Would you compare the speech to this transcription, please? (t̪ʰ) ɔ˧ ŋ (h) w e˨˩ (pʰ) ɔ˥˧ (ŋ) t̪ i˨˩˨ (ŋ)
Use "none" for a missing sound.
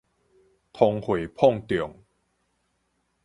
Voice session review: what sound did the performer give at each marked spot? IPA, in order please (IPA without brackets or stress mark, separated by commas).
t̪ʰ, h, pʰ, ŋ, ŋ